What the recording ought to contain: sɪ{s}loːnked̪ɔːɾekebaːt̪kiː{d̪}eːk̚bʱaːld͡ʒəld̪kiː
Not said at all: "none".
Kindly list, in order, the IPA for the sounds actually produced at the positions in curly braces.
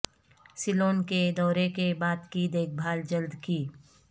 none, d̪

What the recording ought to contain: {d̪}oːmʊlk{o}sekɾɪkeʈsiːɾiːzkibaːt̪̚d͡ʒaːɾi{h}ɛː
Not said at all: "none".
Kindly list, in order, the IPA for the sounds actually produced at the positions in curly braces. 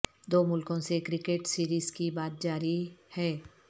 d̪, õ, h

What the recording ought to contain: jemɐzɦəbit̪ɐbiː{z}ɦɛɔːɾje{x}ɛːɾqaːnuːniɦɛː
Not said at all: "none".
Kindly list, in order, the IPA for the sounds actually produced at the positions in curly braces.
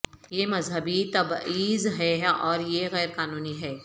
z, ɣ

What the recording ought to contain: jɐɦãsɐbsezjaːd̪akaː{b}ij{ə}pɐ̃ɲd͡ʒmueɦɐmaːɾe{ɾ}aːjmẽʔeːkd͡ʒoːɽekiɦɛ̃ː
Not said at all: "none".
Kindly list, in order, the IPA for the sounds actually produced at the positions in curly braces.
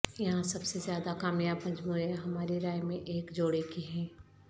m, a, ɾ

